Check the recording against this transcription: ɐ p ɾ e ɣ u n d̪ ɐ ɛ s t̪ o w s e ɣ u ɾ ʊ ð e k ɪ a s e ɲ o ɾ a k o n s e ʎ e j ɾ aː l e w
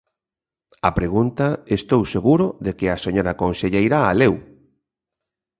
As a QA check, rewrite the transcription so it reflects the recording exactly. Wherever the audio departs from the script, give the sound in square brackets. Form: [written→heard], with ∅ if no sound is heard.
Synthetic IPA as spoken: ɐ p ɾ e ɣ u n [d̪→t̪] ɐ [ɛ→e] s t̪ o w s e ɣ u ɾ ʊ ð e k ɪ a s e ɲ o ɾ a k o n s e ʎ e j ɾ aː l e w